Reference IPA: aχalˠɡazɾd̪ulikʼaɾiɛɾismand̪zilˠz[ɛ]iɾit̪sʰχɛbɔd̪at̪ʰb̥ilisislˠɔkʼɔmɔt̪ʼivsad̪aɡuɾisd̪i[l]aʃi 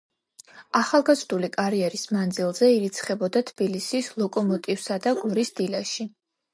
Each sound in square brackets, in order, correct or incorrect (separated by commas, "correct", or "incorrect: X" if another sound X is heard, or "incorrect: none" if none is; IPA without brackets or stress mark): correct, correct